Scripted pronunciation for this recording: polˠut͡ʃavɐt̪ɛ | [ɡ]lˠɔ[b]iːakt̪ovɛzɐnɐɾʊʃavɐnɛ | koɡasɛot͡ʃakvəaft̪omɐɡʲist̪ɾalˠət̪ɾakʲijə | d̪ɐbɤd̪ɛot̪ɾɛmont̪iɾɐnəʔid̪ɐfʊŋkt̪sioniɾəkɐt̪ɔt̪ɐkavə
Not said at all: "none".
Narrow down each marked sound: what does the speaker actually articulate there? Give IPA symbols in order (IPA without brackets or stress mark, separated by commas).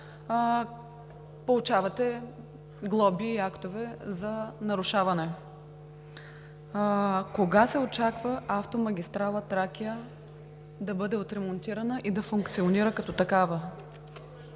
ɡ, b